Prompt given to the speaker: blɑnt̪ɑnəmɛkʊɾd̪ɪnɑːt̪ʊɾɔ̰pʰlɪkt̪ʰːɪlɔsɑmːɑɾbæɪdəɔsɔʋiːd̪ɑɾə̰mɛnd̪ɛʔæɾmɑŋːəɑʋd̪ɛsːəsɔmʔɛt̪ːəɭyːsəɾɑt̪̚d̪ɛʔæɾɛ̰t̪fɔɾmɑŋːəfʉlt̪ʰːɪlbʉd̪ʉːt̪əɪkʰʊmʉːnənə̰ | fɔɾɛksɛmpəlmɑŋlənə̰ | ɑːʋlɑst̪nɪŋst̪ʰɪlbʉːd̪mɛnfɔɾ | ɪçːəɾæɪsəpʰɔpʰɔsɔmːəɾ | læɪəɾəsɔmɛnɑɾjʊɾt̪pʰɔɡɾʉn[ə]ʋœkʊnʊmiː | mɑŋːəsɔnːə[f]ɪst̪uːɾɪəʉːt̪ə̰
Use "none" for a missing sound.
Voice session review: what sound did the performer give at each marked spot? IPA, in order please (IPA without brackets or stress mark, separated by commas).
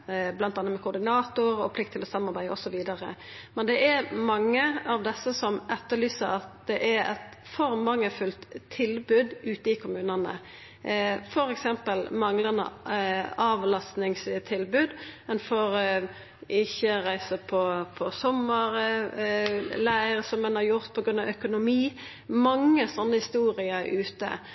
ɑ, h